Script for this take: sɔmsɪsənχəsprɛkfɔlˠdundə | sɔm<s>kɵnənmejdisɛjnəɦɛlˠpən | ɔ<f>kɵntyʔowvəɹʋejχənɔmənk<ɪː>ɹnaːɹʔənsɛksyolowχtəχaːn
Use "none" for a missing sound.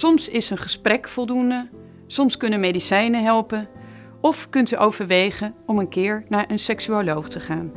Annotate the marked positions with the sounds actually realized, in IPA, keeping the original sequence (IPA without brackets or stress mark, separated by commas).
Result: s, f, ɪː